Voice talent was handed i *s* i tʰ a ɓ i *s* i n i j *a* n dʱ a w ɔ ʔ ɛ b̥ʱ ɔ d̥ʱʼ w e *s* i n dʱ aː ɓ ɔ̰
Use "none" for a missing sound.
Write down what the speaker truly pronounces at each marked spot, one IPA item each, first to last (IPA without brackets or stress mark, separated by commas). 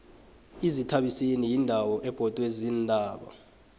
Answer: z, s, i, z